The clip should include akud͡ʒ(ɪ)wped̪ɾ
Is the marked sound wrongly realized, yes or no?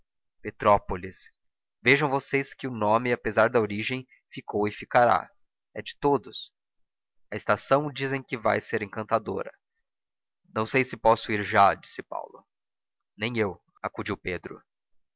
yes